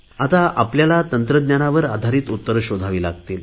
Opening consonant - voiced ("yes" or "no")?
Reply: no